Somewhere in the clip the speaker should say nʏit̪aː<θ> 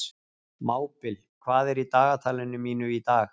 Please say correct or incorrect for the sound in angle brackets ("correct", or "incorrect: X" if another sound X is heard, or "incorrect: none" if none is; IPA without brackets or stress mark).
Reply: incorrect: x